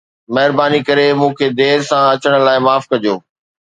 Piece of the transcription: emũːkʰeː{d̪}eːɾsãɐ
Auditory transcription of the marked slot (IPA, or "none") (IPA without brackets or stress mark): d̪